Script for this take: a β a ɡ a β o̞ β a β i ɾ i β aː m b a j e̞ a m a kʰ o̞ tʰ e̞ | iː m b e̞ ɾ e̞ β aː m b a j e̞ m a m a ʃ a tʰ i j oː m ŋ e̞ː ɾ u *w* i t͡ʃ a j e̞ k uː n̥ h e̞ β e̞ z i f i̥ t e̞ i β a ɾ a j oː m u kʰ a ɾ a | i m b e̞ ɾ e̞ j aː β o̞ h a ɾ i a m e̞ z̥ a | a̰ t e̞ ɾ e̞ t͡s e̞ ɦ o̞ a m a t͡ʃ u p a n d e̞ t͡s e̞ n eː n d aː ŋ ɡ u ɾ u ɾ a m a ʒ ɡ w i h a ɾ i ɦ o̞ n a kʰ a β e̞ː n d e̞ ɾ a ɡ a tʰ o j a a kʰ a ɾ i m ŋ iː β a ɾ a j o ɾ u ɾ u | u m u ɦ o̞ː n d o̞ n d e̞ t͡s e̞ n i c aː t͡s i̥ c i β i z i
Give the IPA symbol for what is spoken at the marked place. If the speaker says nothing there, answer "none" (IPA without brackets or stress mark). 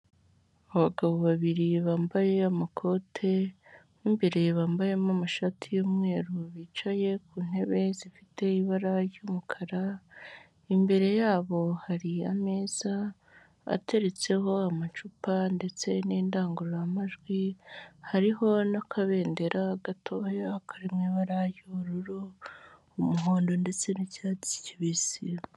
β